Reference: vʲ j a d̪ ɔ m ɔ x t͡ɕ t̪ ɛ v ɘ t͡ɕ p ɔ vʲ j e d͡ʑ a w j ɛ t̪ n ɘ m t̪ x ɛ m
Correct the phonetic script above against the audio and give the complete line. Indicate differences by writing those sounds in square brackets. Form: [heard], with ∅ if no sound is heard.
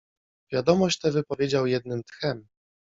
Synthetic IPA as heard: vʲ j a d̪ ɔ m ɔ [ɕ] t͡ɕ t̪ ɛ v ɘ [∅] p ɔ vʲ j e d͡ʑ a w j ɛ [d̪] n ɘ m t̪ x ɛ m